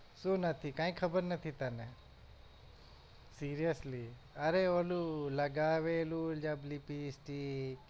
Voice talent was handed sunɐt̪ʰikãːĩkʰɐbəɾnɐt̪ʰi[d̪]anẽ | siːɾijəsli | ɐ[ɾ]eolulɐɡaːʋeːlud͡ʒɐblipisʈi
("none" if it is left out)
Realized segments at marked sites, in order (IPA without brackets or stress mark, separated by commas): t̪, ɾ